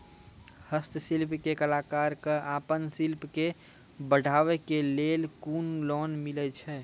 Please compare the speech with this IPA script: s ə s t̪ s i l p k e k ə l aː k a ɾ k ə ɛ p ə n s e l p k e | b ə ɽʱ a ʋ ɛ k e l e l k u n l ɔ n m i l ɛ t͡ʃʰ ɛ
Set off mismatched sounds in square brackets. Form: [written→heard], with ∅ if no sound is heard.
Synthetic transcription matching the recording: [s→h] ə s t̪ s i l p k e k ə l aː k a ɾ k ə [ɛ→a] p ə n s [e→i] l p k e | b ə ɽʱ a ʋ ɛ k e l e l k u n l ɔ n m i l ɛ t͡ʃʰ ɛ